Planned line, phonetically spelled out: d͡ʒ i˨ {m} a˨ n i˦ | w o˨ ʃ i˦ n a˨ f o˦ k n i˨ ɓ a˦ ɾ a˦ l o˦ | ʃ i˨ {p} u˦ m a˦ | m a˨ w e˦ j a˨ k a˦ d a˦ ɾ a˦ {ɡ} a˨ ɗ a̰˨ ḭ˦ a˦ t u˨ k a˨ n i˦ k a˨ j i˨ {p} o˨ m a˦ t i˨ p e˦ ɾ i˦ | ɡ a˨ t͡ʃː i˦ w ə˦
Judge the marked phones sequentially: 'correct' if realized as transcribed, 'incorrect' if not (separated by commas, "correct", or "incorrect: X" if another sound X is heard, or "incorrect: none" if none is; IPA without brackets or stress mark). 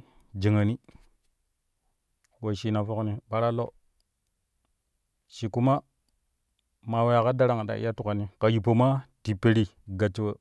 incorrect: ŋ, incorrect: k, incorrect: ŋ, correct